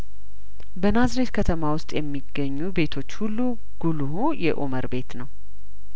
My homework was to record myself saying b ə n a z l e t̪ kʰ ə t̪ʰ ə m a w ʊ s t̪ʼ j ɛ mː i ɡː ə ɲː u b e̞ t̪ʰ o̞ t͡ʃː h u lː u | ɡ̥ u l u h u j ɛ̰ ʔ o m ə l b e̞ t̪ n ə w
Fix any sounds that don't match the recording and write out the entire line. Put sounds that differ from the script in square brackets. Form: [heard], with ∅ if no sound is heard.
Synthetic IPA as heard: b ə n a z [ɾ] e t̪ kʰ ə t̪ʰ ə m a w ʊ s t̪ʼ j ɛ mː i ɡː ə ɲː u b e̞ t̪ʰ o̞ t͡ʃː h u lː u | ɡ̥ u l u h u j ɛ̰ ʔ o m ə [ɾ] b e̞ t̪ n ə w